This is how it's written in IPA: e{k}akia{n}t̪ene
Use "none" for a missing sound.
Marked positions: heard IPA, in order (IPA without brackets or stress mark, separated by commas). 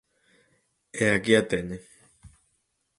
none, none